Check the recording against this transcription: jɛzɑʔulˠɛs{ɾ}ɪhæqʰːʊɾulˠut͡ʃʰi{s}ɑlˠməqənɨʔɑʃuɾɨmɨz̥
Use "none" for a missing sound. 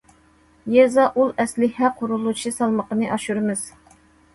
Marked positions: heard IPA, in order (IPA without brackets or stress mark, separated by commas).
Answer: l, s